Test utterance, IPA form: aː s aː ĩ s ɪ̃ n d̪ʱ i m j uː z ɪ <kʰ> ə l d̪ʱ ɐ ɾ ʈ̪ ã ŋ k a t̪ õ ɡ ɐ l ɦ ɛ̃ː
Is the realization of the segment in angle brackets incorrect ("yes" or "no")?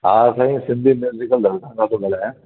yes